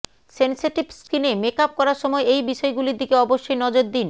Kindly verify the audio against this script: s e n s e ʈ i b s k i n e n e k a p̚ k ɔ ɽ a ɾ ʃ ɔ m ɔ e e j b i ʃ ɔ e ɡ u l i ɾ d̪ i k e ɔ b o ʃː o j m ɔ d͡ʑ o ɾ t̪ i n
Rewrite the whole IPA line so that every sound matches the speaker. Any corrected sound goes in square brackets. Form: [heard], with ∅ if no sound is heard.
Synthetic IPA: s e n s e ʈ i b s k i n e [m] e k a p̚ k ɔ [ɾ] a ɾ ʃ ɔ m ɔ e e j b i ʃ ɔ e ɡ u l i ɾ d̪ i k e ɔ b o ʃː o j [n] ɔ d͡ʑ o ɾ [d̪] i n

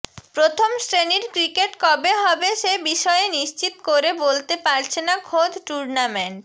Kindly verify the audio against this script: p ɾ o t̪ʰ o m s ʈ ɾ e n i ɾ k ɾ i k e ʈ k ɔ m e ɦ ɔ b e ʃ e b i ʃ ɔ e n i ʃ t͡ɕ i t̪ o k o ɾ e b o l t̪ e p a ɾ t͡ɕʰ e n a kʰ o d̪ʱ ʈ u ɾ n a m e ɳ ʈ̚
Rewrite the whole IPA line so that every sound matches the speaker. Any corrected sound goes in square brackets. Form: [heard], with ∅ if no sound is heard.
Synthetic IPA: p ɾ o t̪ʰ o m s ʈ ɾ e n i ɾ k ɾ i k e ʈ k ɔ [b] e ɦ ɔ b e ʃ e b i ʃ ɔ e n i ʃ t͡ɕ i t̪ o k o ɾ e b o l t̪ e p a ɾ t͡ɕʰ e n a kʰ o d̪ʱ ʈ u ɾ n a m e ɳ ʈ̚

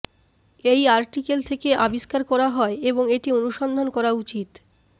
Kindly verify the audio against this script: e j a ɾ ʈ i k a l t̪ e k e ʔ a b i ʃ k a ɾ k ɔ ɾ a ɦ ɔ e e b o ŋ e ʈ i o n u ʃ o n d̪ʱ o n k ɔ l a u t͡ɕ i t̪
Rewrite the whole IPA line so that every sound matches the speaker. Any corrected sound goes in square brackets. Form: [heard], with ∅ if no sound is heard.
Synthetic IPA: e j a ɾ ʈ i k [e] l [t̪ʰ] e k e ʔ a b i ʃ k a ɾ k ɔ ɾ a ɦ ɔ e e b o ŋ e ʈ i o n u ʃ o n d̪ʱ o n k ɔ [ɾ] a u t͡ɕ i t̪

